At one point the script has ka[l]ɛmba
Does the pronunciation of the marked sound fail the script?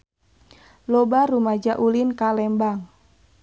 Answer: no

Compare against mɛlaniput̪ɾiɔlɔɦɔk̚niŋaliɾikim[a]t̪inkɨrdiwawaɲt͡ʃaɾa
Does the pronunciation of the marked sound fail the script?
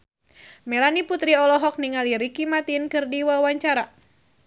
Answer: no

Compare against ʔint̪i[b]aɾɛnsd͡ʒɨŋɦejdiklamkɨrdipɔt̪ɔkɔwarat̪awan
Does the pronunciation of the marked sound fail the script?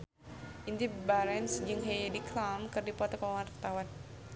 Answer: no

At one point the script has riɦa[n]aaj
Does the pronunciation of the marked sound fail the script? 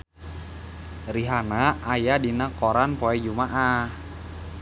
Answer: no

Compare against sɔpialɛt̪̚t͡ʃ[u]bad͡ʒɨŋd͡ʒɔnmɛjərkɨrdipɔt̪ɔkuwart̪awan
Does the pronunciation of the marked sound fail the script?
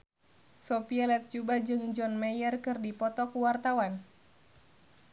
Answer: no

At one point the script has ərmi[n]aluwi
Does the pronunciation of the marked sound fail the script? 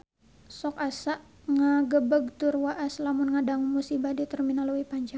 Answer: no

